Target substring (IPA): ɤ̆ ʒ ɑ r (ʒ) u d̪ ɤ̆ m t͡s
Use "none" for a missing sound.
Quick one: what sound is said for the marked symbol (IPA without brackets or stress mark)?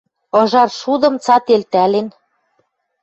ʃ